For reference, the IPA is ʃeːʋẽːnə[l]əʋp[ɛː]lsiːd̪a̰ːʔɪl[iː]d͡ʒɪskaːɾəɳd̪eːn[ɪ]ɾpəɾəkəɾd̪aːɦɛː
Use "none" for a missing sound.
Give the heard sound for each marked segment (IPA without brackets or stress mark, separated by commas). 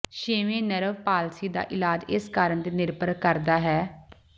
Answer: ɾ, aː, aː, ɪ